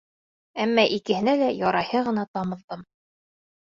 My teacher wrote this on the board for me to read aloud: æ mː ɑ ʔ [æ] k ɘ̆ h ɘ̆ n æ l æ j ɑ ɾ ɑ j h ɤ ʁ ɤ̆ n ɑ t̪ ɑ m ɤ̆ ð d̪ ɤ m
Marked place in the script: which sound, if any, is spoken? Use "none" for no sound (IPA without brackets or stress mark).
i